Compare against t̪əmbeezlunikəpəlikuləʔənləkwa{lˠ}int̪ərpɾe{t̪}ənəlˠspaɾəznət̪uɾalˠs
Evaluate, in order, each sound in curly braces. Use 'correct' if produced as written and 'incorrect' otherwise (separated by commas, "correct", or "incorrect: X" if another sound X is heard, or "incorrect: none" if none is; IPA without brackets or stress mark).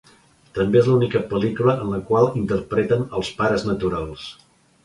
correct, correct